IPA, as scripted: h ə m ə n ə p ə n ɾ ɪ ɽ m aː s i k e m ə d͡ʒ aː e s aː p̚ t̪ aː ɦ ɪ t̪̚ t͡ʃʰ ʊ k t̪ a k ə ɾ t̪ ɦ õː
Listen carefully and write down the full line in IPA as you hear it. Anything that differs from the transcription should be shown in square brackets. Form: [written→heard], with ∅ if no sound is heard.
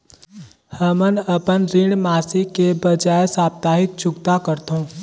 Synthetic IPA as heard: h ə m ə n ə p ə n ɾ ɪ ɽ m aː s i k e [m→b] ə d͡ʒ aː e s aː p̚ t̪ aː ɦ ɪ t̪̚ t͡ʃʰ ʊ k t̪ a k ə ɾ t̪ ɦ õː